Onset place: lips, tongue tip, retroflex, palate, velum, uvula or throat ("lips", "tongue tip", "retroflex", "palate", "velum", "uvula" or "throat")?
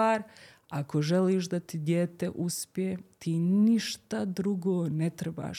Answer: tongue tip